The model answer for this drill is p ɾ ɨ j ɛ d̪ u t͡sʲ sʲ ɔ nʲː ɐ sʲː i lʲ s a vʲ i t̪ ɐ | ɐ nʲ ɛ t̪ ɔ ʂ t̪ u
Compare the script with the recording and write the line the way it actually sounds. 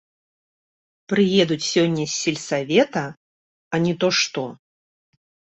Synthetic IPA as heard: p ɾ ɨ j ɛ d̪ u t͡sʲ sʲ ɔ nʲː ɐ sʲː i lʲ s a vʲ ɛ t̪ ɐ | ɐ nʲ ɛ t̪ ɔ ʂ t̪ ɔ